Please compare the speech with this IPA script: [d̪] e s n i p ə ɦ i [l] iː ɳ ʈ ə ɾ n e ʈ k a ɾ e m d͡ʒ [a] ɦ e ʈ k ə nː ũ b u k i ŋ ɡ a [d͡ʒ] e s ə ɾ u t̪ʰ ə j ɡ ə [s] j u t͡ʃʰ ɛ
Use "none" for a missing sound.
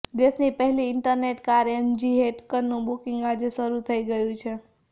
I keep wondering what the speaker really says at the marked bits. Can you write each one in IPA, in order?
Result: d̪, l, i, d͡ʒ, none

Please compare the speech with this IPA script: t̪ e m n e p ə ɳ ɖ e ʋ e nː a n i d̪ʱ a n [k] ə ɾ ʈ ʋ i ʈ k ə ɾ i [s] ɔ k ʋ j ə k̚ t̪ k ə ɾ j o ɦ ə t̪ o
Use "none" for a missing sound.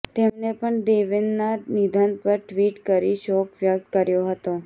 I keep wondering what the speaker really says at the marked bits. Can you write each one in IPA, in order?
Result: p, ʃ

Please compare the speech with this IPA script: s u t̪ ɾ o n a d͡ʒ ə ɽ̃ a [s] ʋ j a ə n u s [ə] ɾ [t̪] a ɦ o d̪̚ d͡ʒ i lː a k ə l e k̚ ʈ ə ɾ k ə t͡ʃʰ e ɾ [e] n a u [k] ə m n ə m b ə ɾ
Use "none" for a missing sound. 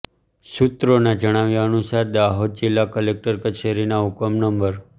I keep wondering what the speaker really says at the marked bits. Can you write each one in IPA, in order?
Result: none, a, d̪, i, k

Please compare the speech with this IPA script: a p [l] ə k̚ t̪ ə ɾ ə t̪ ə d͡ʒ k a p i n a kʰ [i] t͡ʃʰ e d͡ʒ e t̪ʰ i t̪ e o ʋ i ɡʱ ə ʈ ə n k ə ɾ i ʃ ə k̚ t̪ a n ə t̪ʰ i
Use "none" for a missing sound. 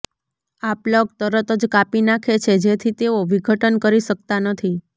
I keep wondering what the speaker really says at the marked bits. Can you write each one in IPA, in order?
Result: l, e

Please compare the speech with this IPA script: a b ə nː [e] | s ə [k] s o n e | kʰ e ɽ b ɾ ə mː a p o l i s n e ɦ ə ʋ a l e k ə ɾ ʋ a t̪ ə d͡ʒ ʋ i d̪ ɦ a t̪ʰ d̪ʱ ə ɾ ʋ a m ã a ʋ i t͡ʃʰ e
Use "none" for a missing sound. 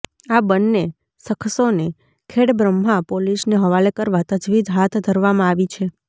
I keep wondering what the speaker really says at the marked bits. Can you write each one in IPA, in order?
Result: e, kʰ

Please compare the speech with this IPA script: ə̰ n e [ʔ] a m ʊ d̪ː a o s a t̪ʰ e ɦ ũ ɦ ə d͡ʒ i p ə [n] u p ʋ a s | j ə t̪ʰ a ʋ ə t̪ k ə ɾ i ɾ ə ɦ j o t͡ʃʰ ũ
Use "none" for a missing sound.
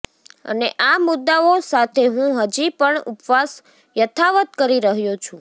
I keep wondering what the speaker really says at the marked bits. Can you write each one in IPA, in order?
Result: ʔ, ɳ

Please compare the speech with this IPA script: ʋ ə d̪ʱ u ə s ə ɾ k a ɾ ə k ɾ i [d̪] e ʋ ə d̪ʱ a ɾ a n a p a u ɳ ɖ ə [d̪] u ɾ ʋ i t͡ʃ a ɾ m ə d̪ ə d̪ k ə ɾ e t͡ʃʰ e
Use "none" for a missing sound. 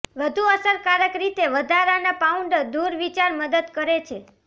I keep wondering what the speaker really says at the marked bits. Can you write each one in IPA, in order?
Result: t̪, d̪

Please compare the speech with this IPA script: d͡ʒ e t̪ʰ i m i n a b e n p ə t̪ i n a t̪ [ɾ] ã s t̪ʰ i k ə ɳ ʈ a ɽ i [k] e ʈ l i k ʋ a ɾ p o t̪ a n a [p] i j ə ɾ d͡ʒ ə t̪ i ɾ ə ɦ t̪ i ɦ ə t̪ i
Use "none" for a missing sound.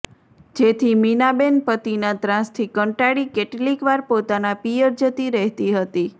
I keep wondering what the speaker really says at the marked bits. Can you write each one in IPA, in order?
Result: ɾ, k, p

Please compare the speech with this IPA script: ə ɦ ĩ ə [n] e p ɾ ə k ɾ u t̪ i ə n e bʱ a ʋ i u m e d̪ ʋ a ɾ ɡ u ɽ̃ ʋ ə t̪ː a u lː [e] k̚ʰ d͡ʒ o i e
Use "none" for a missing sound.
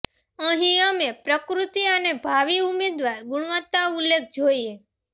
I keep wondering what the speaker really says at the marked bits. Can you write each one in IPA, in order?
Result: m, e

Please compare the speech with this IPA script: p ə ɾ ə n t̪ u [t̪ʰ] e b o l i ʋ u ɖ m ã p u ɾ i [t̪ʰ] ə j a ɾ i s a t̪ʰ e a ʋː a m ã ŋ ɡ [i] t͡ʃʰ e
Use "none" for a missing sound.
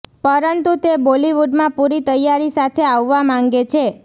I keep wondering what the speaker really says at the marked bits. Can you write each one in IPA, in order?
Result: t̪, t̪, e

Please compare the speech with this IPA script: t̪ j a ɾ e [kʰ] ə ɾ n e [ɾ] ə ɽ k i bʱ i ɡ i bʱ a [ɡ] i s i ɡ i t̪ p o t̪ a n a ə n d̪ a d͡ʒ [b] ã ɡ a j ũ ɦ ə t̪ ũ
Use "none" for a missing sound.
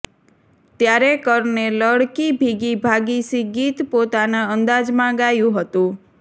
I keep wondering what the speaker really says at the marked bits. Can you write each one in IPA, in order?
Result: k, l, ɡ, m

